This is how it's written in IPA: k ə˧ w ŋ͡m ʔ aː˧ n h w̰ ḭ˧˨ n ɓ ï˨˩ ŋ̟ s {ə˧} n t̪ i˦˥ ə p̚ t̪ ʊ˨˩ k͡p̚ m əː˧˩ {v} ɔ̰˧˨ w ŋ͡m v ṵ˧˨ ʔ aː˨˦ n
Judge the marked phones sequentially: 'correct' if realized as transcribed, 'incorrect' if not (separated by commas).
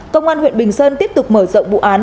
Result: incorrect, incorrect